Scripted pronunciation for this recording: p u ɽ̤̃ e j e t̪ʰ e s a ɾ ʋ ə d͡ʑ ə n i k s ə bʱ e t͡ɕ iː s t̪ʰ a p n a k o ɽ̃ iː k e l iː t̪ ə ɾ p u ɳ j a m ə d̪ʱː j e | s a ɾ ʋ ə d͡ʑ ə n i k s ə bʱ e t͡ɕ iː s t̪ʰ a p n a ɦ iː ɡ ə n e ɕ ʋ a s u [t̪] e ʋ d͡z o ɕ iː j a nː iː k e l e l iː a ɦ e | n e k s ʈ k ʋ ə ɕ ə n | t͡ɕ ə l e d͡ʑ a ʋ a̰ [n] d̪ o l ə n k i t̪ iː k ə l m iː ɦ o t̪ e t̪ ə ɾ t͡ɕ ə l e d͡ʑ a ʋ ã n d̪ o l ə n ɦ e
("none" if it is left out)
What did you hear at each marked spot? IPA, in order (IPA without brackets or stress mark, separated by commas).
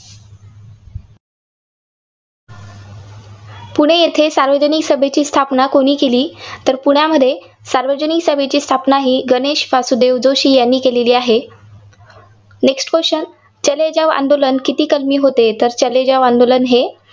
d̪, n